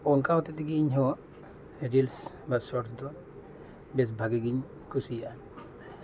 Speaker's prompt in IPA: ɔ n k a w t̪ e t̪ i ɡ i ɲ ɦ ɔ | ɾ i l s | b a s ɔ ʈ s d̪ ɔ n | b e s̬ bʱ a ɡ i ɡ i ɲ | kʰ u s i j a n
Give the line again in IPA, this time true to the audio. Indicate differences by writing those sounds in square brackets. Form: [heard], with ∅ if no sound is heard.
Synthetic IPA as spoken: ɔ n k a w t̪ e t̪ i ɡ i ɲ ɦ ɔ | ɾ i l s | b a s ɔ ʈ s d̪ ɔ n | b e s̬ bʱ a ɡ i ɡ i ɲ | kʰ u s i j a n